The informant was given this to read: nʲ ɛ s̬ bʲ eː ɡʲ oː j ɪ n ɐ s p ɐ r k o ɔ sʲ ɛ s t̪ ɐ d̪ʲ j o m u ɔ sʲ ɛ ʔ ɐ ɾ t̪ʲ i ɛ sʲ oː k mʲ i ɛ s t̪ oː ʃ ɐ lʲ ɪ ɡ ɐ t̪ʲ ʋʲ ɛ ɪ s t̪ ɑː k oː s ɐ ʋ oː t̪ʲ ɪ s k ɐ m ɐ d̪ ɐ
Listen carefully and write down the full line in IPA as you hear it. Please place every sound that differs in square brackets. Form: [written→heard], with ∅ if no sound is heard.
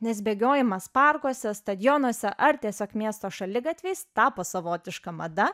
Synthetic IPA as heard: nʲ ɛ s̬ bʲ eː ɡʲ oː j ɪ [n→m] ɐ s p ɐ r k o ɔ sʲ ɛ s t̪ ɐ d̪ʲ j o [m→n] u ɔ sʲ ɛ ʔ ɐ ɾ t̪ʲ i ɛ sʲ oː k mʲ i ɛ s t̪ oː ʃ ɐ lʲ ɪ ɡ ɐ t̪ʲ ʋʲ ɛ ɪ s t̪ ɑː [k→p] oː s ɐ ʋ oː t̪ʲ ɪ [s→ʃ] k ɐ m ɐ d̪ ɐ

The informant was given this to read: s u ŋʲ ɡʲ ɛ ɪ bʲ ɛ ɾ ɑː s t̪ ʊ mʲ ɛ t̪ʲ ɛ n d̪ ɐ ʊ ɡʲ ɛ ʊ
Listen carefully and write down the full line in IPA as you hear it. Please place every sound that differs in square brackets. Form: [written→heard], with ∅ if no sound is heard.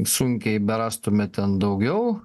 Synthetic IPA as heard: s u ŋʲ [ɡʲ→kʲ] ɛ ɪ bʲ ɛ ɾ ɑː s t̪ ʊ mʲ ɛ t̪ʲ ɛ n d̪ ɐ ʊ ɡʲ ɛ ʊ

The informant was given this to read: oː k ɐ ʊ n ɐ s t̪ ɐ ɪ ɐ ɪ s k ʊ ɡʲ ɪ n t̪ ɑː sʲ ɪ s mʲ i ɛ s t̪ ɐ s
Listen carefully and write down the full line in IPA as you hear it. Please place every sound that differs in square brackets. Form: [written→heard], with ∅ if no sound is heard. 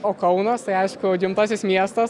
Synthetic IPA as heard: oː k ɐ ʊ n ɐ s t̪ ɐ ɪ ɐ ɪ [s→ʃ] k ʊ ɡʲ ɪ [n→m] t̪ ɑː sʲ ɪ s mʲ i ɛ s t̪ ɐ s

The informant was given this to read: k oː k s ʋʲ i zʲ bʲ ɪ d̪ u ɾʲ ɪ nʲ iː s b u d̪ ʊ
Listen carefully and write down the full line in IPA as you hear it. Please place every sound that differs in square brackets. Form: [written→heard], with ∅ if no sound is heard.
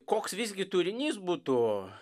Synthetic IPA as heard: k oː k s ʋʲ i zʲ [bʲ→ɡʲ] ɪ [d̪→t̪] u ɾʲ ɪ nʲ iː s b u [d̪→t̪] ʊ

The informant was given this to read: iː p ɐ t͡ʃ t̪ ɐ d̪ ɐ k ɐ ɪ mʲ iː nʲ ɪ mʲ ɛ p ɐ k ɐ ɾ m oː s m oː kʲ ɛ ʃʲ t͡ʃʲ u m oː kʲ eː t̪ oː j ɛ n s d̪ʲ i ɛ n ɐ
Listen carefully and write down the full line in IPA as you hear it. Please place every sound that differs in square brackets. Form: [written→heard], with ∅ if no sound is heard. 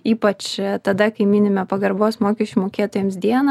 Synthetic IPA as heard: iː p ɐ t͡ʃ t̪ ɐ d̪ ɐ k ɐ ɪ mʲ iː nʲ ɪ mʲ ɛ p ɐ [k→ɡ] ɐ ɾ [m→b] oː s m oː kʲ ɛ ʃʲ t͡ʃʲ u m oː kʲ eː t̪ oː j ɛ [n→m] s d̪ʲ i ɛ n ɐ

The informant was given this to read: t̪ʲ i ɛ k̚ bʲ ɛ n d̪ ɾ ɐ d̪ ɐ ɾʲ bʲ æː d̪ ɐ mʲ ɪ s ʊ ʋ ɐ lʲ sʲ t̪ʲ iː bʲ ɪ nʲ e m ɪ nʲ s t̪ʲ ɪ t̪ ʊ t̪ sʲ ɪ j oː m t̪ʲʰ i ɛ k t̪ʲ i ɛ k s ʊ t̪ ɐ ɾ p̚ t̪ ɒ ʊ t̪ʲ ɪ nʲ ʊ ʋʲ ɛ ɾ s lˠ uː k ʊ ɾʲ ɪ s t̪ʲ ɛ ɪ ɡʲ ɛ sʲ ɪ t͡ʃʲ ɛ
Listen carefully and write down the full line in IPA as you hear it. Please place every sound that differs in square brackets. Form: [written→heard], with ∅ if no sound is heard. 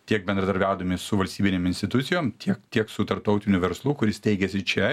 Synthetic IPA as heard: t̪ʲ i ɛ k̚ bʲ ɛ n d̪ ɾ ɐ d̪ ɐ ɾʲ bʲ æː d̪ ɐ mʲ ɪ s ʊ ʋ ɐ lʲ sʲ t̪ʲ iː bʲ ɪ nʲ e m ɪ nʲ s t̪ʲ ɪ t̪ ʊ t̪ sʲ ɪ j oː m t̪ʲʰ i ɛ k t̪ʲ i ɛ k s ʊ t̪ ɐ ɾ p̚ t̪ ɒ ʊ t̪ʲ ɪ nʲ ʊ ʋʲ ɛ ɾ s lˠ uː k ʊ ɾʲ ɪ s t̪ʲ ɛ ɪ ɡʲ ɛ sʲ ɪ t͡ʃʲ ɛ

